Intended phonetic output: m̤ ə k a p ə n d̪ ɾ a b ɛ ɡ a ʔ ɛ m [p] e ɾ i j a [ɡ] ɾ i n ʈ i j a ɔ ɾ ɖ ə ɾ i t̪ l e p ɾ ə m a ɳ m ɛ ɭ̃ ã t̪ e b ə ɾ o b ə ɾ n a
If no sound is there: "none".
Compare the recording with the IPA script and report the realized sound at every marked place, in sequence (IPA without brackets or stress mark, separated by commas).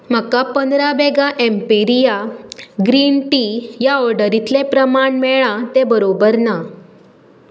p, ɡ